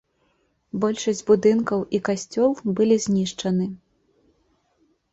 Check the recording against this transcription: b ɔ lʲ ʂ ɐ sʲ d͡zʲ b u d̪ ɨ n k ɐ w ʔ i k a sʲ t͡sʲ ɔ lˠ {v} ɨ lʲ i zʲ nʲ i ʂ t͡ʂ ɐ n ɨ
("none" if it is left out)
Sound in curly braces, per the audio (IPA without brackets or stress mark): b